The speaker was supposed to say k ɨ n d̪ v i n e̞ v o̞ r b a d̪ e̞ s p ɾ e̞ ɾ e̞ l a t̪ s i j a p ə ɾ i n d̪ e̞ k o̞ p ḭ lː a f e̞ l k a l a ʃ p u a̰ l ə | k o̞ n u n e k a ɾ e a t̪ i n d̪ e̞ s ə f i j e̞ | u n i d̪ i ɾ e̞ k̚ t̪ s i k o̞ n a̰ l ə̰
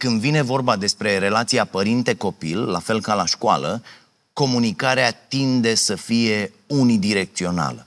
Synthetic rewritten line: k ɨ n d̪ v i n e̞ v o̞ r b a d̪ e̞ s p ɾ e̞ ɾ e̞ l a t̪ s i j a p ə ɾ i n t̪ e̞ k o̞ p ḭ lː a f e̞ l k a l a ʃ k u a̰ l ə | k o̞ m u n i k a ɾ e a t̪ i n d̪ e̞ s ə f i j e̞ | u n i d̪ i ɾ e̞ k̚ t̪ s i o̞ n a̰ l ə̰